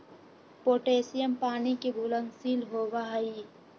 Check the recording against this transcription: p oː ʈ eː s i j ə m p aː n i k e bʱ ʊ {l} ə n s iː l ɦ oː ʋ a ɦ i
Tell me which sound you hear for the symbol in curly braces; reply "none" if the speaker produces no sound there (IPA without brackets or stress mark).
l